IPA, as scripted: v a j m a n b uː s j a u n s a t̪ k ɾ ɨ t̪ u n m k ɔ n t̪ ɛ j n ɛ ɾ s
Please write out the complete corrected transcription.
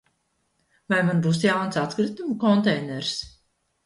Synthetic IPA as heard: v a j m a n b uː s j a w n s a t̪ k ɾ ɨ t̪ u m k ɔ n t̪ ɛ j n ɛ ɾ s